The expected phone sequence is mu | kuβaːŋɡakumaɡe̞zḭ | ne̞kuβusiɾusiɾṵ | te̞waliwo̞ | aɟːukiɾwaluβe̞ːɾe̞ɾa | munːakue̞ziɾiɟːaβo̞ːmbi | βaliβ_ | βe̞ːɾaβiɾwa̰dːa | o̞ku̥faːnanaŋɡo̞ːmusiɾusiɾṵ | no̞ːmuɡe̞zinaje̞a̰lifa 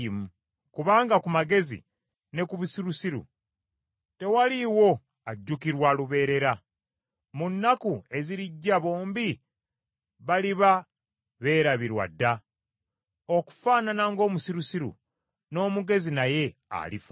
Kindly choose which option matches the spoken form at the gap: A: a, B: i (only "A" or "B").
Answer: A